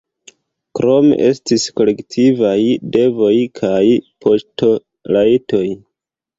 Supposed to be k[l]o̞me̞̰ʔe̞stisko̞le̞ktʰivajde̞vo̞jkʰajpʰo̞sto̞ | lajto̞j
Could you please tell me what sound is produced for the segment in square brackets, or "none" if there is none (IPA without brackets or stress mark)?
ɾ